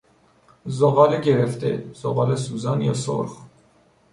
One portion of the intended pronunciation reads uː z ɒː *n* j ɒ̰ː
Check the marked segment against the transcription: correct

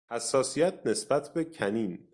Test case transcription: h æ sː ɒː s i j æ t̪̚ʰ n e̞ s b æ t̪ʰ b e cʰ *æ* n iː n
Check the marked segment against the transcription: correct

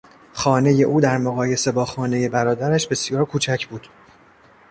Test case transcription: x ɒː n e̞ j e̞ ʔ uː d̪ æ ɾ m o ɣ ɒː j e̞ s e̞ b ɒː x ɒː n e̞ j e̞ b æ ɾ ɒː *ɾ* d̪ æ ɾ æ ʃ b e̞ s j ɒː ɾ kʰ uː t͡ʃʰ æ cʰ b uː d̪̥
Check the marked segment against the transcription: incorrect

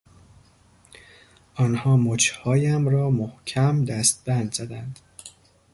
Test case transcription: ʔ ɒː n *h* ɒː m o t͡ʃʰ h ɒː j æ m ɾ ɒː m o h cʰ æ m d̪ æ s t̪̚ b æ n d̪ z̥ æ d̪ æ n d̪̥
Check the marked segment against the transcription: correct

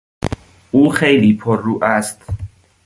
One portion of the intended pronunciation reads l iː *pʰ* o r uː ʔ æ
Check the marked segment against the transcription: correct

